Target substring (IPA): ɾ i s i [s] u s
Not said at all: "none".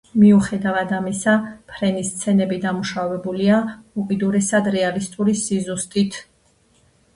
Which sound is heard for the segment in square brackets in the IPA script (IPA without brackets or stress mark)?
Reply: z